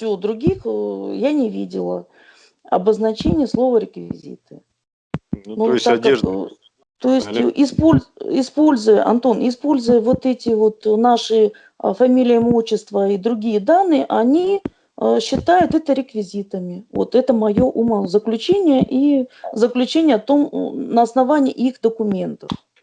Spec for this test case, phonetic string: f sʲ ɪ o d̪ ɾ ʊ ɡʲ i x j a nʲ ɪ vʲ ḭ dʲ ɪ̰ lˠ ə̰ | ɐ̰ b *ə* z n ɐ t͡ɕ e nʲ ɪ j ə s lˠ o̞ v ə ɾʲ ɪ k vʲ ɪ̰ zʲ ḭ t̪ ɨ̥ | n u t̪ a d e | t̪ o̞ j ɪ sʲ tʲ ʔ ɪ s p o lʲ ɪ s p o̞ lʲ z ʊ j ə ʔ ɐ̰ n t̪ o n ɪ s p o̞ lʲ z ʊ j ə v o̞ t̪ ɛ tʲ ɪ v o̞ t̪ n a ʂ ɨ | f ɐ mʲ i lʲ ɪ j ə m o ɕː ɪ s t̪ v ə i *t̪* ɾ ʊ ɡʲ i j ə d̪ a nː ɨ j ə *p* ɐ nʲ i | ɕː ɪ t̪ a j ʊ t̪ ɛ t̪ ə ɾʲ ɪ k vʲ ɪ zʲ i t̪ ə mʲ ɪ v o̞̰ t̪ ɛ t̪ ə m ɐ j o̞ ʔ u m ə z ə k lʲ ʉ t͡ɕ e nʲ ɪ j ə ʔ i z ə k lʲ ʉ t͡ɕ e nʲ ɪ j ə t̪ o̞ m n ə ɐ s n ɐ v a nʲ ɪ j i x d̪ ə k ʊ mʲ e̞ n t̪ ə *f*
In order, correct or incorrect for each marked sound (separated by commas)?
correct, incorrect, incorrect, correct